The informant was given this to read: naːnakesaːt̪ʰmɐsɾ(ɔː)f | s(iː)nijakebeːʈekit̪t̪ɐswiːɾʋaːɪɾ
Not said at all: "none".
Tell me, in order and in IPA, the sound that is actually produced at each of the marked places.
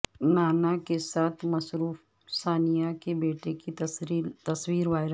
uː, aː

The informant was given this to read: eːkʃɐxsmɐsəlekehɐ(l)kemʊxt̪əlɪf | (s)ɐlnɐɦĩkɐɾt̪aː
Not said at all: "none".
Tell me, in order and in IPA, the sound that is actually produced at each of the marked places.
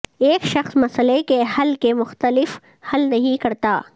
l, h

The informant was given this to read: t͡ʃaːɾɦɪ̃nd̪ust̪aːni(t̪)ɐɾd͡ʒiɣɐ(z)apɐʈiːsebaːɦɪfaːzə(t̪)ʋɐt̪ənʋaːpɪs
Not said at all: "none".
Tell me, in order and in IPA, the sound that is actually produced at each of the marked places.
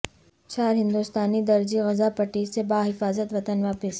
d̪, z, t̪

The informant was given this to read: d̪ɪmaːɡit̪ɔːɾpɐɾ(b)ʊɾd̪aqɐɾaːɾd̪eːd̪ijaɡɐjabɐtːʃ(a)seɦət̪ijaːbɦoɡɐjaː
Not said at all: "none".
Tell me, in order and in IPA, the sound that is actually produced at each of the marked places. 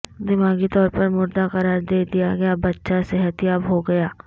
m, a

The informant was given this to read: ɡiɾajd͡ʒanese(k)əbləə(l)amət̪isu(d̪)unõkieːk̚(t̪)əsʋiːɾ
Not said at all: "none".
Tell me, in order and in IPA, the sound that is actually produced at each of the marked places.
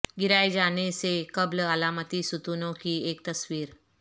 k, l, t̪, t̪

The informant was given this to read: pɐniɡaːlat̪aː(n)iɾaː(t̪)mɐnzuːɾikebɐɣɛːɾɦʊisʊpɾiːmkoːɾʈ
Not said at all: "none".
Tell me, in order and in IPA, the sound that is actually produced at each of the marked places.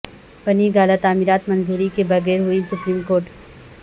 m, t̪

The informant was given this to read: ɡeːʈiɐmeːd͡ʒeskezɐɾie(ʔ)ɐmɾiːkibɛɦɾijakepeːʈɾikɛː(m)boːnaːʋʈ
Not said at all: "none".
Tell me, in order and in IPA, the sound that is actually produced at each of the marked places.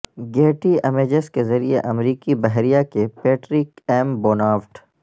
ʔ, m

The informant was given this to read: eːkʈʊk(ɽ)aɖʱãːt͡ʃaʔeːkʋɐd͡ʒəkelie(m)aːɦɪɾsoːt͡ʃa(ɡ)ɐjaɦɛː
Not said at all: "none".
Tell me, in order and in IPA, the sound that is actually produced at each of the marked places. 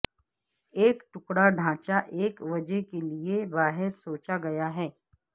ɽ, b, ɡ

